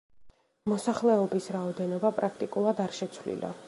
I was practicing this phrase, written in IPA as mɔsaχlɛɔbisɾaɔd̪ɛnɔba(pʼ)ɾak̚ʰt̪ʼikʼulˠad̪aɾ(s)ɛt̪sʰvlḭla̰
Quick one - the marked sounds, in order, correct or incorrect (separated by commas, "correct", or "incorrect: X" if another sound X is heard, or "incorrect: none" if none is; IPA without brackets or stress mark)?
correct, incorrect: ʃ